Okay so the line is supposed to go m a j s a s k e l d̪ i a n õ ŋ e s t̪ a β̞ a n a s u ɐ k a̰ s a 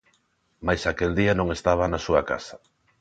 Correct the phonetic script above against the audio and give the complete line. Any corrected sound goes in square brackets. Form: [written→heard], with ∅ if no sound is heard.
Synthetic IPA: m a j s a [s→∅] k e l d̪ i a n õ ŋ e s t̪ a β̞ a n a s u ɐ k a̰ s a